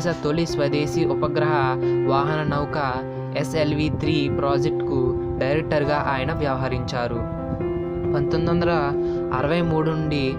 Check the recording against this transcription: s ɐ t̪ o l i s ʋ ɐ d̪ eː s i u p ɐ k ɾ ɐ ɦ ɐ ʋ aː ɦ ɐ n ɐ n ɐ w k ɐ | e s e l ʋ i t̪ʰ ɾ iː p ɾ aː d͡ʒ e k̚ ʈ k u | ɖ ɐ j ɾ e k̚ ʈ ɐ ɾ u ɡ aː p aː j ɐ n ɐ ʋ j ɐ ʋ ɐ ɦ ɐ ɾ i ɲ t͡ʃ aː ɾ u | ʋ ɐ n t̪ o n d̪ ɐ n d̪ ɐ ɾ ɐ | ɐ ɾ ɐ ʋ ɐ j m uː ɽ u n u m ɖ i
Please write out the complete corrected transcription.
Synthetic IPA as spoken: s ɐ t̪ o l i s ʋ ɐ d̪ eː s i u p ɐ ɡ ɾ ɐ ɦ ɐ ʋ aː ɦ ɐ n ɐ n ɐ w k ɐ | e s e l ʋ i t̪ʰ ɾ iː p ɾ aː d͡ʒ e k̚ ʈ k u | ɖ ɐ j ɾ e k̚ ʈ ɐ ɾ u ɡ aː ʔ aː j ɐ n ɐ ʋ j ɐ ʋ ɐ ɦ ɐ ɾ i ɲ t͡ʃ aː ɾ u | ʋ ɐ n t̪ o n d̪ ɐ n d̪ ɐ ɾ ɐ | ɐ ɾ ɐ ʋ ɐ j m uː ɽ u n u ɳ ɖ i